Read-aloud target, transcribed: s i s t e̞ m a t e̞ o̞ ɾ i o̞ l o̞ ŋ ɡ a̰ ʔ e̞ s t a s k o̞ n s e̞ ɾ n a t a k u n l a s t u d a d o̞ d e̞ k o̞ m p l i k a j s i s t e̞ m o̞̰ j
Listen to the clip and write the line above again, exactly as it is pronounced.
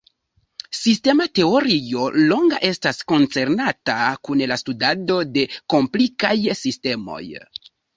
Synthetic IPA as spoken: s i s t e̞ m a t e̞ o̞ ɾ i o̞ l o̞ ŋ ɡ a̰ ʔ e̞ s t a s k o̞ n t͡s e̞ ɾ n a t a k u n l a s t u d a d o̞ d e̞ k o̞ m p l i k a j s i s t e̞ m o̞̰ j